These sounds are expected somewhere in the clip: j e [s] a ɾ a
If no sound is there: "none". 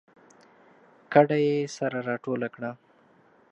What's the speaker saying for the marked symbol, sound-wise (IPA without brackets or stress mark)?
s